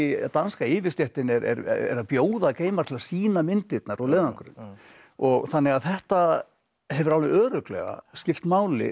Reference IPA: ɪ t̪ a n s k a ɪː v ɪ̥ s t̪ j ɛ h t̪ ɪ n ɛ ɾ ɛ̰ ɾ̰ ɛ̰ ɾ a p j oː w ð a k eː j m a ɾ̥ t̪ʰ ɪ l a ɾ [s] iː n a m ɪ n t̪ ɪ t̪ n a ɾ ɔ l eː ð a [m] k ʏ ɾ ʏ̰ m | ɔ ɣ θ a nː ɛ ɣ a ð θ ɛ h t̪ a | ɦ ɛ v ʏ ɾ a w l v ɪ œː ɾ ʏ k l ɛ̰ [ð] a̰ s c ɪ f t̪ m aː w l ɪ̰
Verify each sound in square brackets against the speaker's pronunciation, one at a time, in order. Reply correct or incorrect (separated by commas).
correct, incorrect, incorrect